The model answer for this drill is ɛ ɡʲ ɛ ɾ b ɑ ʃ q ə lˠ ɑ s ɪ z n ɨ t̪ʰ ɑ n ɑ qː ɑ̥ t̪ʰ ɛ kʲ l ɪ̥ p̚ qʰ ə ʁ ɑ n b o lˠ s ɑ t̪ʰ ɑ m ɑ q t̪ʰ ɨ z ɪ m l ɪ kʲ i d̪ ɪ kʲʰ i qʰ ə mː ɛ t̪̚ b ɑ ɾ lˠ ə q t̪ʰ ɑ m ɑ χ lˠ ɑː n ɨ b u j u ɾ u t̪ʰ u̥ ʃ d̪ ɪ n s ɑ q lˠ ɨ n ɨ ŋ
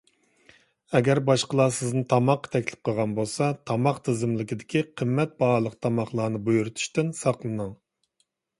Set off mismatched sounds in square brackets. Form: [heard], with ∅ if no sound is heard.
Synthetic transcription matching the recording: ɛ ɡʲ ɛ ɾ b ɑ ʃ q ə lˠ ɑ s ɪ z n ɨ t̪ʰ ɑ [m] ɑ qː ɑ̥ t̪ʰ ɛ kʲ l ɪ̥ p̚ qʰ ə ʁ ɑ n b o lˠ s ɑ t̪ʰ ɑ m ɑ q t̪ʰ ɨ z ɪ m l ɪ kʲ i d̪ ɪ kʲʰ i qʰ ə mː ɛ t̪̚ b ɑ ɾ lˠ ə q t̪ʰ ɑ m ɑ χ lˠ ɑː n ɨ b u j u ɾ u t̪ʰ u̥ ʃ [t̪] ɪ n s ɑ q lˠ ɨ n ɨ ŋ